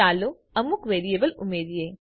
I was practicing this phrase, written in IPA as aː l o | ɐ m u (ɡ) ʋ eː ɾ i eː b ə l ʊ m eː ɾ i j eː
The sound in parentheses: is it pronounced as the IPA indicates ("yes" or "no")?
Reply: no